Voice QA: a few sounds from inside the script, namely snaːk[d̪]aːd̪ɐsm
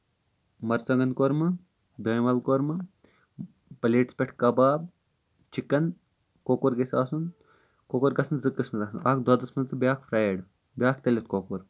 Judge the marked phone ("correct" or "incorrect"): correct